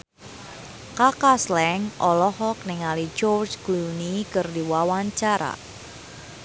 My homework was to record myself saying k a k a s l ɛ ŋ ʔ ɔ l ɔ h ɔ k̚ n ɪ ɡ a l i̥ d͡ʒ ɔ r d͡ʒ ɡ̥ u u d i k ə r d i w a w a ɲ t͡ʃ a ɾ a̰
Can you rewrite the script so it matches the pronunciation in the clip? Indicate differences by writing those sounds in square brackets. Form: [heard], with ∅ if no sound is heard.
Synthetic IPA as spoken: k a k a s l ɛ ŋ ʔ ɔ l ɔ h ɔ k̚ n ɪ [ŋ] a l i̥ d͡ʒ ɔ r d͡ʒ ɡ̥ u u [n] i k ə r d i w a w a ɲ t͡ʃ a ɾ a̰